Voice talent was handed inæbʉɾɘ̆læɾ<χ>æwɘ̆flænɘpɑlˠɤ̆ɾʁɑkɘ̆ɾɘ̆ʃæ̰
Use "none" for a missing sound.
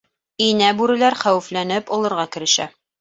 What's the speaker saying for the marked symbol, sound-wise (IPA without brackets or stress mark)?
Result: χ